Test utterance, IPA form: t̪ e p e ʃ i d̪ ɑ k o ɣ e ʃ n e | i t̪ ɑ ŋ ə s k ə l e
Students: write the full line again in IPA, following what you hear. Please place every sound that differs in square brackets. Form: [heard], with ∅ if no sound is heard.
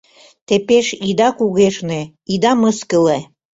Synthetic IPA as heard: t̪ e p e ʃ i d̪ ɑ k [u] ɣ e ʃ n e | i [d̪] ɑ [m] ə s k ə l e